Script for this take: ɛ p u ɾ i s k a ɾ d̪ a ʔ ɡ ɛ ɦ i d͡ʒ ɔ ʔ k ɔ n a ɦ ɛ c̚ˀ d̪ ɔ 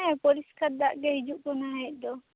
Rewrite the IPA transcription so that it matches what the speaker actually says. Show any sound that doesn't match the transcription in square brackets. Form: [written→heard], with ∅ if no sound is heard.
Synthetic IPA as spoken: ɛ p [u→ɔ] ɾ i s k a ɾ d̪ a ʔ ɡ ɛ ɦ i d͡ʒ [ɔ→u] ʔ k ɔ n a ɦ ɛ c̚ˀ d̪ ɔ